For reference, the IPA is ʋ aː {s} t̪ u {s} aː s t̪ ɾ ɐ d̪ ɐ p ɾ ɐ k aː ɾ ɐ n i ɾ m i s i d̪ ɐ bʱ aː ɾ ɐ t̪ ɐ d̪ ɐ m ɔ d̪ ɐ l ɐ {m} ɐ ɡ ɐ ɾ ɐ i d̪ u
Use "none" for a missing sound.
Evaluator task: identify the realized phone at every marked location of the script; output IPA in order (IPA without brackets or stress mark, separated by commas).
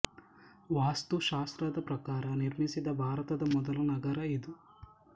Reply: s, ʃ, n